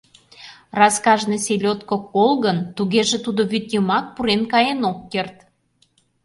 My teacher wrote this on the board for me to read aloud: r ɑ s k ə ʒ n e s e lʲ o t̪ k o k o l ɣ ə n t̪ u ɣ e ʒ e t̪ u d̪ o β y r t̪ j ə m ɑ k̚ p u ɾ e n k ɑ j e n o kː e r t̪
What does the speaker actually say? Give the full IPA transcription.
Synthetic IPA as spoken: r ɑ s k ɑ ʒ n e s e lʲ o t̪ k o k o l ɣ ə n t̪ u ɣ e ʒ e t̪ u d̪ o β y t̪ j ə m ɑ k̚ p u ɾ e n k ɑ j e n o kː e r t̪